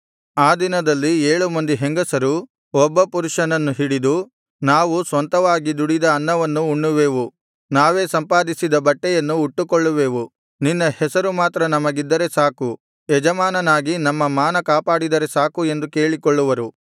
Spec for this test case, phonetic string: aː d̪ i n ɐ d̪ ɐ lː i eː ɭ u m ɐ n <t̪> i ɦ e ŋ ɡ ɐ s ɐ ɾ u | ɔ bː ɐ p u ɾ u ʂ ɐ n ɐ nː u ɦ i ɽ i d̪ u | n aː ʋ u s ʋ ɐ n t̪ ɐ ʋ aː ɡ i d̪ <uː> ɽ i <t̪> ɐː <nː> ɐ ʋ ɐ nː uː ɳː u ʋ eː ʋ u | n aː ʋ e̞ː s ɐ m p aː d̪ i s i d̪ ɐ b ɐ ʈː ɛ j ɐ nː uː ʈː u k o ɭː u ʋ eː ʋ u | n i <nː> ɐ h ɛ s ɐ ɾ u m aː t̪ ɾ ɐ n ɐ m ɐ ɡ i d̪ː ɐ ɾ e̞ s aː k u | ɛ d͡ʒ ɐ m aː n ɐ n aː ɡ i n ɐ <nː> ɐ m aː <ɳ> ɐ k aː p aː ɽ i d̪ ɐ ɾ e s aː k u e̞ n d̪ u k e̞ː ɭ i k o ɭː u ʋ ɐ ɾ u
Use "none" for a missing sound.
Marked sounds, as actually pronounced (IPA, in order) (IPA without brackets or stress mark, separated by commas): d̪, u, d̪, nː, nː, mː, n